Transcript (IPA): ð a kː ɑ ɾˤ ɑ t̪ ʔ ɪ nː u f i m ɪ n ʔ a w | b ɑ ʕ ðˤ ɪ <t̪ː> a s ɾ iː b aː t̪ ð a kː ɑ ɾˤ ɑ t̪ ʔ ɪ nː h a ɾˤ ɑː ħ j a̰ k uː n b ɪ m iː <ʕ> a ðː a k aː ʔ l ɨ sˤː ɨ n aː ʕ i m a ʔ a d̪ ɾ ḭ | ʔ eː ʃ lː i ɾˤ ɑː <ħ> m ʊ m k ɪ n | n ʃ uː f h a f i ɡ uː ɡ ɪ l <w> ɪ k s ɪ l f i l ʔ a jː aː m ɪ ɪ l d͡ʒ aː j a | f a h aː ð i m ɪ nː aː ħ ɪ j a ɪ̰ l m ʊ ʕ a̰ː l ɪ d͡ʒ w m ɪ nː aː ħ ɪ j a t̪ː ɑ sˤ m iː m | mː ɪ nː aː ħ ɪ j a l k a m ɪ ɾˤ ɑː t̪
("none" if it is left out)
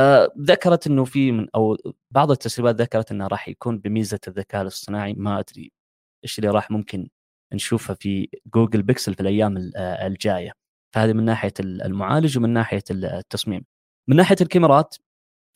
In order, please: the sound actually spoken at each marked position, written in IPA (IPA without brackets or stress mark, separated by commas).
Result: t̪ː, z, ħ, b